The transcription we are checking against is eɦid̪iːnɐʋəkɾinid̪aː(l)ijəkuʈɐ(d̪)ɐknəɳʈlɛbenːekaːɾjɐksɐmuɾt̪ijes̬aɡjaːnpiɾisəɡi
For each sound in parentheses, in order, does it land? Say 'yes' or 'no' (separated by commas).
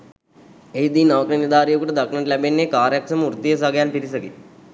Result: no, yes